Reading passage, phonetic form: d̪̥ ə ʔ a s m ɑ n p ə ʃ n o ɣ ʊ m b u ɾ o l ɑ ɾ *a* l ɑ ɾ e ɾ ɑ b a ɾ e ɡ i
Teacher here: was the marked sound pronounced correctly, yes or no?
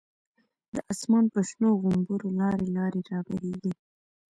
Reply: no